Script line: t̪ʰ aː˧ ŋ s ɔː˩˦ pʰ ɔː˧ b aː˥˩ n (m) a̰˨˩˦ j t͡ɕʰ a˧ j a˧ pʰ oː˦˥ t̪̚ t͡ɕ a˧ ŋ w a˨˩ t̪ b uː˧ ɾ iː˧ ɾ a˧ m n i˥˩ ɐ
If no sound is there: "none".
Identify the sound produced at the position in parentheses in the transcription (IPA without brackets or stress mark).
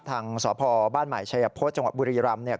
m